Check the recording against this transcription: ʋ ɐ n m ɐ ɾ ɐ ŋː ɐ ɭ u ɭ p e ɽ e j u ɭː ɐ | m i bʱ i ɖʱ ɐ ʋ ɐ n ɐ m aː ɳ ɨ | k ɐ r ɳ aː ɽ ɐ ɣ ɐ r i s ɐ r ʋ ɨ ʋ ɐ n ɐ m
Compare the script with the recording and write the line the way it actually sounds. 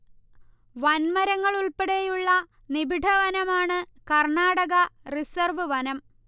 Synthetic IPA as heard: ʋ ɐ n m ɐ ɾ ɐ ŋː ɐ ɭ u ɭ p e ɽ e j u ɭː ɐ | n i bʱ i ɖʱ ɐ ʋ ɐ n ɐ m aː ɳ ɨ | k ɐ r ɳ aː ɽ ɐ ɣ ɐ r i s ɐ r ʋ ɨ ʋ ɐ n ɐ m